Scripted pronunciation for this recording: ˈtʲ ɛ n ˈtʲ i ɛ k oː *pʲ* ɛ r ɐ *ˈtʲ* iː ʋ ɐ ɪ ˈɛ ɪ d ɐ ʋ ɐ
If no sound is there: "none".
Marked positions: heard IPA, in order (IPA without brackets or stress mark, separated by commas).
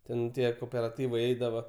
pʲ, tʲ